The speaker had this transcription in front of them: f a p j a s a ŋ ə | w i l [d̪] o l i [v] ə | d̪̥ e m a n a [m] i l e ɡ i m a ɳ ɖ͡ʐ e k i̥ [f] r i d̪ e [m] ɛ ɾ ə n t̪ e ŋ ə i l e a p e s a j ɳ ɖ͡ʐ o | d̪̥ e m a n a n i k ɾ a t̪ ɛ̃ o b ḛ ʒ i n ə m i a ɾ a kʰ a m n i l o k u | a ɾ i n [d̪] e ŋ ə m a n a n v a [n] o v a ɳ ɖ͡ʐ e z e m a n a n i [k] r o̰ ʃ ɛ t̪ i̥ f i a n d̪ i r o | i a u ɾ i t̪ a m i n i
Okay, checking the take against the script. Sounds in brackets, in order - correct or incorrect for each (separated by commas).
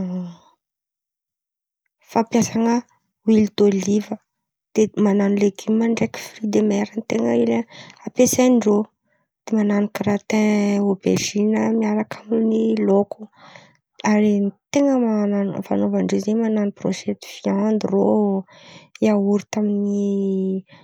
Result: correct, correct, incorrect, correct, correct, incorrect, correct, incorrect